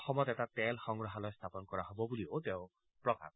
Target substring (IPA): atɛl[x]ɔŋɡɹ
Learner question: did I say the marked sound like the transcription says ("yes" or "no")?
yes